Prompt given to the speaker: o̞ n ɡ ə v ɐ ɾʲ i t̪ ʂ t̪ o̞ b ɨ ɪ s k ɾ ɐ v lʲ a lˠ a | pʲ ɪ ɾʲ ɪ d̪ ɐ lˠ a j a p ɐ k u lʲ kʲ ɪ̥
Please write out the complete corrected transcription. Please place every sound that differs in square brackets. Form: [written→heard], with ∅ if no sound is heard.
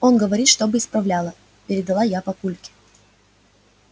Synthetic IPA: o̞ n ɡ ə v ɐ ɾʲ i t̪ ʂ t̪ o̞ b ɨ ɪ s [k→p] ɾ ɐ v lʲ a lˠ [a→ə] | pʲ ɪ ɾʲ ɪ d̪ ɐ lˠ a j a p ɐ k u lʲ kʲ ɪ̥